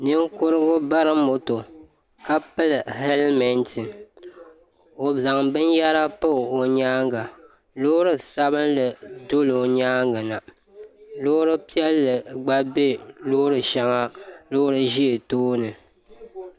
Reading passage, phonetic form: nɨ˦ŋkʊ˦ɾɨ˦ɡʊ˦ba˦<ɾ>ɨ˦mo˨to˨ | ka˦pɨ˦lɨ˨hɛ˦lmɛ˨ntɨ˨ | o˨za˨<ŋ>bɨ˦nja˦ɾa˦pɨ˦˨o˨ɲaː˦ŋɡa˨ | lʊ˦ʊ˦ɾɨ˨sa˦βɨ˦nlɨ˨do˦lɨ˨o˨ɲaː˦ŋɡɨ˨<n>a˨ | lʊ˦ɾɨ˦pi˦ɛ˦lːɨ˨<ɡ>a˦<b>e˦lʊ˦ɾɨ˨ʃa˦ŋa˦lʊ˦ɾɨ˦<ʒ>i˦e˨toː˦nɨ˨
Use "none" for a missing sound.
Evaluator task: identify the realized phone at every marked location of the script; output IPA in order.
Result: ɾ, ŋ, n, ɡ͡b, b, ʒ

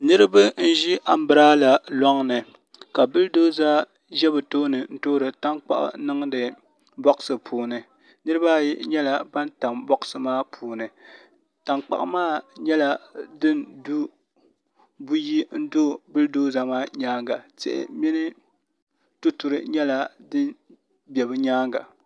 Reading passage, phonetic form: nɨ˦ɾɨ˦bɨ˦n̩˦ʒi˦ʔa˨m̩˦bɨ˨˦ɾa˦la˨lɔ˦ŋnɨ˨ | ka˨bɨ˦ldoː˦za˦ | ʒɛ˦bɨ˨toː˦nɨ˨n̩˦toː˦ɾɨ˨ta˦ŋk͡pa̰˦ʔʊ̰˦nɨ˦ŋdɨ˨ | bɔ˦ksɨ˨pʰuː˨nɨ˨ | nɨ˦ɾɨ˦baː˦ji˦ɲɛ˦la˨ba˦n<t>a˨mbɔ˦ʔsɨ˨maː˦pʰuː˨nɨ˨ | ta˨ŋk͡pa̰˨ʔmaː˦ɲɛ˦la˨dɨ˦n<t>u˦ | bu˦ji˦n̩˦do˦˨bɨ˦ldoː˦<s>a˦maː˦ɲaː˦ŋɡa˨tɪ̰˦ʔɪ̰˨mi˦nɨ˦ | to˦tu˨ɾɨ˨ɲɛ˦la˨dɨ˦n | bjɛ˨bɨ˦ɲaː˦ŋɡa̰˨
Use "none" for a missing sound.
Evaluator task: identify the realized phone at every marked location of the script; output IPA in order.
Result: t, d, z

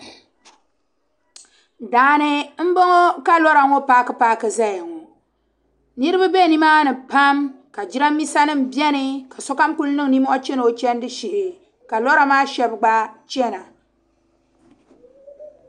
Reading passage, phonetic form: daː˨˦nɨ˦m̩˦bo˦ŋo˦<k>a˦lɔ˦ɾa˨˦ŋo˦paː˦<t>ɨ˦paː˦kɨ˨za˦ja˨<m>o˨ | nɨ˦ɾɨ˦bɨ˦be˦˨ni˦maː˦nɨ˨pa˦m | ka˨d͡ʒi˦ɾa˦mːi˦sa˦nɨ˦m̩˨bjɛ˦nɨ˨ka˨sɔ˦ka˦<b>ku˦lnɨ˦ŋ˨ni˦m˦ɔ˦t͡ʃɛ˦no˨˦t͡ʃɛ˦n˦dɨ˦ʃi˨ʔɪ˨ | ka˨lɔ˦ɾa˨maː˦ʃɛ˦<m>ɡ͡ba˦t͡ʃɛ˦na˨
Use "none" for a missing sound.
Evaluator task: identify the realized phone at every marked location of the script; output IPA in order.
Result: k, k, ŋ, m, b

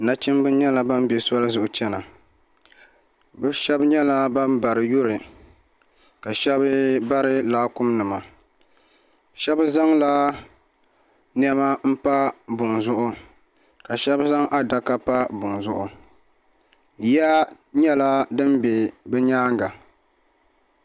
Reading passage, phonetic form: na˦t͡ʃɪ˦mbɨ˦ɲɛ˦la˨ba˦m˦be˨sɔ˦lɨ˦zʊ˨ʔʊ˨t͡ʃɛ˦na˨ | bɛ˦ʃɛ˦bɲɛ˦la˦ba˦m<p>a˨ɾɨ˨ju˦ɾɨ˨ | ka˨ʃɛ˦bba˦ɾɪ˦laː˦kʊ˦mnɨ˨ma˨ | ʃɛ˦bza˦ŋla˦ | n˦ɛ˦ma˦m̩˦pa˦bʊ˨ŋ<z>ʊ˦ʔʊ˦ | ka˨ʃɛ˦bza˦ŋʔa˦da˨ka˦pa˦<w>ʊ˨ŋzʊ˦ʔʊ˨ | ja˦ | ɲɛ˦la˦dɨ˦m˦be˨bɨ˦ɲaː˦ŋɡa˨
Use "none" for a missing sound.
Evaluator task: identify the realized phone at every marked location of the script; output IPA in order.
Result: b, z, b

